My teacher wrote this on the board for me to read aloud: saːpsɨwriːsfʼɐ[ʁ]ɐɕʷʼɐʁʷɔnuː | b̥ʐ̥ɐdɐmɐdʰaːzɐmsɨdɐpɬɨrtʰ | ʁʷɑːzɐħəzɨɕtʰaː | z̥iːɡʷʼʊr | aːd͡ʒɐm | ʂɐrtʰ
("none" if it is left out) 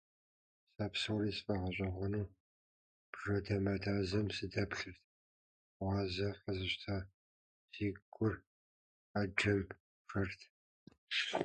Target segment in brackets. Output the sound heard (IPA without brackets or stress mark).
ʁ